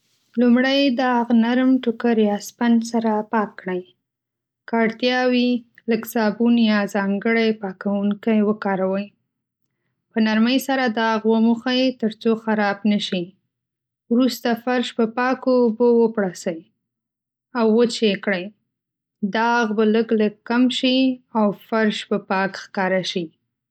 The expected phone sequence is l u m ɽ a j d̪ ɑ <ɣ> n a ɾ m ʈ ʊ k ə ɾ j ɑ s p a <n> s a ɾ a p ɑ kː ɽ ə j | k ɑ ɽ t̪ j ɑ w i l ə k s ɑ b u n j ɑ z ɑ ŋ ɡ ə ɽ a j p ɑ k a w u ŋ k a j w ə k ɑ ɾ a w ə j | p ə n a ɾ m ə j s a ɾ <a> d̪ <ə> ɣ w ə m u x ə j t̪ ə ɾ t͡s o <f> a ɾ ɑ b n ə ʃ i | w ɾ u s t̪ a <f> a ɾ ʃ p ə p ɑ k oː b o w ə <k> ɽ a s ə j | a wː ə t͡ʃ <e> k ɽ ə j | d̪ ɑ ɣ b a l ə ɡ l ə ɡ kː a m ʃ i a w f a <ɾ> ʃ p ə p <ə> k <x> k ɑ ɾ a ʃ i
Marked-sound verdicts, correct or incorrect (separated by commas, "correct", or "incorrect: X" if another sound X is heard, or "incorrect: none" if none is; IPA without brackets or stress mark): correct, correct, correct, incorrect: ɑ, incorrect: x, correct, incorrect: p, correct, correct, incorrect: ɑ, correct